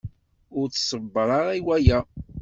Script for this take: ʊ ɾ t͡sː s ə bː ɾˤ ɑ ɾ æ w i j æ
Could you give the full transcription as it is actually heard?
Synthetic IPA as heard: ʊ ɾ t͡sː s ə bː ɾˤ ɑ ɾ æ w æ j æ